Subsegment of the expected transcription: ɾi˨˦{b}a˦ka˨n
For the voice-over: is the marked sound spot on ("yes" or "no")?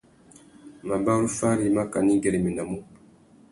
no